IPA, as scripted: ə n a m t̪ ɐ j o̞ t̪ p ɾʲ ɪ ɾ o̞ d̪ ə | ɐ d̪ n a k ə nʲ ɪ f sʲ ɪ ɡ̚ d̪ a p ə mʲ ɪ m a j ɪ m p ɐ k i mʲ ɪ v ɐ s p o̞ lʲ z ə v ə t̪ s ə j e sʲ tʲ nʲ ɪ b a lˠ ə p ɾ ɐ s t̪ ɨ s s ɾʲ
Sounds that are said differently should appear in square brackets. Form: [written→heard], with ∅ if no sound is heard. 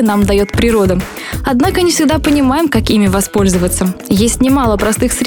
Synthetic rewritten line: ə n a m [t̪→d̪] ɐ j o̞ t̪ p ɾʲ ɪ ɾ o̞ d̪ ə | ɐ d̪ n a k ə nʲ ɪ f sʲ ɪ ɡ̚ d̪ a p ə [mʲ→nʲ] ɪ m a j ɪ m [p→k] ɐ k i mʲ ɪ v ɐ s p o̞ lʲ z ə v ə t̪ s ə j e sʲ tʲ nʲ ɪ [b→m] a lˠ ə p ɾ ɐ s t̪ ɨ [s→x] s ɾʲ